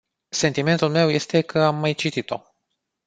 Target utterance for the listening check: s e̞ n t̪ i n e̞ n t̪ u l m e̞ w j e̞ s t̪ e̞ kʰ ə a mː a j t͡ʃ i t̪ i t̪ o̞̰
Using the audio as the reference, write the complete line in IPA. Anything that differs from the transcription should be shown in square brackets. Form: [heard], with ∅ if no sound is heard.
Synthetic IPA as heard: s e̞ n t̪ i [m] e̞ n t̪ u l m e̞ w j e̞ s t̪ e̞ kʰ ə a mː a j t͡ʃ i t̪ i t̪ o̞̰